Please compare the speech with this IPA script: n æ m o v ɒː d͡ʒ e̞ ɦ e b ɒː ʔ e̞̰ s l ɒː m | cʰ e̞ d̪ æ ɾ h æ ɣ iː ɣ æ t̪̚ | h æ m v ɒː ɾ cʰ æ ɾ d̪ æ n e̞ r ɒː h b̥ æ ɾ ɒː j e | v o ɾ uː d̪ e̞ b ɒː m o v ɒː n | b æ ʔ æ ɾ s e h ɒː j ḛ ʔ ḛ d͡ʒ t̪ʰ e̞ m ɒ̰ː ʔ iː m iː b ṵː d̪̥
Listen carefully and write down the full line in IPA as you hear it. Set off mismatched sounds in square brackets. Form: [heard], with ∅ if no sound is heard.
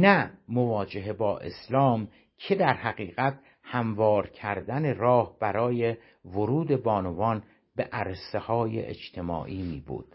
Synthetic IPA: n æ m o v ɒː d͡ʒ e̞ ɦ e b ɒː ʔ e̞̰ s l ɒː m | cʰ e̞ d̪ æ ɾ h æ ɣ iː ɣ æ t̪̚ | h æ m v ɒː ɾ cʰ æ ɾ d̪ æ n e̞ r ɒː h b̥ æ ɾ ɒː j e | v o ɾ uː d̪ e̞ b ɒː [n] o v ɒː n | b [e] ʔ æ ɾ s e h ɒː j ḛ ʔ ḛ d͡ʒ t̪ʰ e̞ m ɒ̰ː ʔ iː m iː b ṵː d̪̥